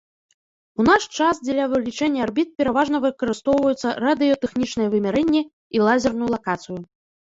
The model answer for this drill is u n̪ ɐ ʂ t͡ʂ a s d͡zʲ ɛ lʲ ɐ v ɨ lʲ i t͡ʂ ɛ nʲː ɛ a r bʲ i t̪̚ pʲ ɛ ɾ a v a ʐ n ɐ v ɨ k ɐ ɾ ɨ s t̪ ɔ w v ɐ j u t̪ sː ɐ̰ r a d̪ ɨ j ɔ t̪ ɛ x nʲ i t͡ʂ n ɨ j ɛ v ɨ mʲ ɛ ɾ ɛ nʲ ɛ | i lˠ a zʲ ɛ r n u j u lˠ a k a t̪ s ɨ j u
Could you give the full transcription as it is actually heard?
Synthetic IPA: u n̪ a ʂ t͡ʂ a s d͡zʲ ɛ lʲ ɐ v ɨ lʲ i t͡ʂ ɛ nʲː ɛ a r bʲ i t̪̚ pʲ ɛ ɾ a v a ʐ n ɐ v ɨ k ɐ ɾ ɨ s t̪ ɔ w v ɐ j u t̪ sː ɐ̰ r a d̪ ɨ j ɔ t̪ ɛ x nʲ i t͡ʂ n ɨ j ɛ v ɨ mʲ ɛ ɾ ɛ nʲː ɛ | i lˠ a zʲ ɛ r n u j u lˠ a k a t̪ s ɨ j u